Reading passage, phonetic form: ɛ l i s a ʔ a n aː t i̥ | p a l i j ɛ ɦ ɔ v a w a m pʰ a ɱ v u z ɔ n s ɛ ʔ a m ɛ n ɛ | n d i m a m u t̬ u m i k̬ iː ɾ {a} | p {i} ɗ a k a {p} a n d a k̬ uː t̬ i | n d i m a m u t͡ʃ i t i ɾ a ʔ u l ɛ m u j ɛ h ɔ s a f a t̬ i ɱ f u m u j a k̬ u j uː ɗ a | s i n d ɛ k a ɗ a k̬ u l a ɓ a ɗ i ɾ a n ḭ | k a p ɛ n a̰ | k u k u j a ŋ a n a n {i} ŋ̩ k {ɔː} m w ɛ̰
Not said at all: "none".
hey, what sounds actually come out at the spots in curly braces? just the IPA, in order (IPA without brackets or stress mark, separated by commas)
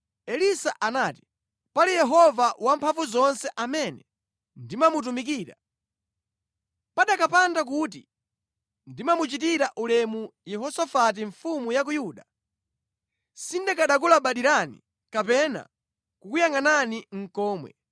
a, a, p, i, ɔː